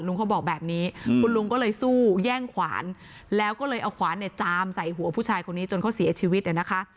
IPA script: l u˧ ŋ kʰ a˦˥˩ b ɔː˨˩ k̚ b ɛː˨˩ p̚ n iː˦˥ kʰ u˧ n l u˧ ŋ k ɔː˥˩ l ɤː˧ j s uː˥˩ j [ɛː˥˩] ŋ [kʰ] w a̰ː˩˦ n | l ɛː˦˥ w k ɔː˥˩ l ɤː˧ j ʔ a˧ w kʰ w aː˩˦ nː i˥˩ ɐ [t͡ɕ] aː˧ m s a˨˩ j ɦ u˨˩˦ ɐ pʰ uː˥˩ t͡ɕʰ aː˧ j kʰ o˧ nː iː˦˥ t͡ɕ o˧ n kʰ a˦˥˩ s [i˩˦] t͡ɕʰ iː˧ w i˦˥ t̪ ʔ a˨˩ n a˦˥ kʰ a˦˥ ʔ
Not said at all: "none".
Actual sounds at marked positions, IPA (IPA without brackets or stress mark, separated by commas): ɛː˥˩, kʰ, t͡ɕ, i˩˦